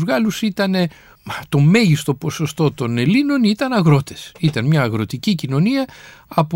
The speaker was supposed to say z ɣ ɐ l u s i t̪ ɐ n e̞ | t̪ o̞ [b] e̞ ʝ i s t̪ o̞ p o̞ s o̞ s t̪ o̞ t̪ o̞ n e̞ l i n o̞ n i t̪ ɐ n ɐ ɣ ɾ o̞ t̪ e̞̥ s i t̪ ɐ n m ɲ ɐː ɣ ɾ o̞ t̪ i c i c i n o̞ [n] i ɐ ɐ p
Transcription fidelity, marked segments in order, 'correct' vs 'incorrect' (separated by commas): incorrect, correct